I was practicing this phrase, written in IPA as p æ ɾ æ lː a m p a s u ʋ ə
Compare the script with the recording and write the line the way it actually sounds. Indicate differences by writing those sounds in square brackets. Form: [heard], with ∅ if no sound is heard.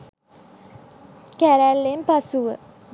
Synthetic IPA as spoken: [k] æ ɾ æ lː [e] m p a s u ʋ ə